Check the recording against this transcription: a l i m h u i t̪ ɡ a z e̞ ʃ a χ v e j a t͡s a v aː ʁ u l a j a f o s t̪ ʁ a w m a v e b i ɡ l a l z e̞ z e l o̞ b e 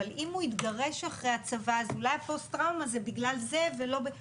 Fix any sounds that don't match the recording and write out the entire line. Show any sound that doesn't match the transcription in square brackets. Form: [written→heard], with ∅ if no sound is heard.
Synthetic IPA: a l i m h u i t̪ ɡ a [z→ʁ] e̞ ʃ a χ [v→ʁ] e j a t͡s a v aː [ʁ→z] u l a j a f o s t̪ ʁ a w m a [v→z] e b i ɡ l a l z e̞ [z→v] e l o̞ b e